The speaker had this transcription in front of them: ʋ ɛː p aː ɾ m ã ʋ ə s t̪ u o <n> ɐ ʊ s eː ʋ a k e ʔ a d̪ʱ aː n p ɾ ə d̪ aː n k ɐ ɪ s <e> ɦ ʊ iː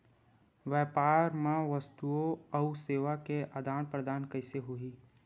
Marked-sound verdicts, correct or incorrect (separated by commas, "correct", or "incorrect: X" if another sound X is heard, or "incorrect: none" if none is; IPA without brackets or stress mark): incorrect: none, correct